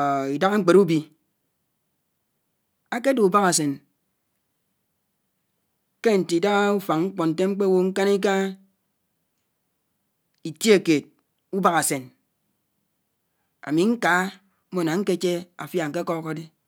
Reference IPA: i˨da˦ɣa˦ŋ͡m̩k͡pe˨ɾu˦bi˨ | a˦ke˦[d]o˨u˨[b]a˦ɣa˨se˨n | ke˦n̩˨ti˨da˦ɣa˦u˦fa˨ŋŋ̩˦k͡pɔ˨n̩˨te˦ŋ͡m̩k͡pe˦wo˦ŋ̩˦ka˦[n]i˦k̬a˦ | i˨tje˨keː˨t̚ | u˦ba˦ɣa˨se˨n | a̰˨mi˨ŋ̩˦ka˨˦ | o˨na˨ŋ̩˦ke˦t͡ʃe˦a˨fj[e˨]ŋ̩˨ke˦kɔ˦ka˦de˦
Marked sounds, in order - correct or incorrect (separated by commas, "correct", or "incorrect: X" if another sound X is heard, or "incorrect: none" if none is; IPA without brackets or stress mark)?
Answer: correct, correct, correct, incorrect: a˨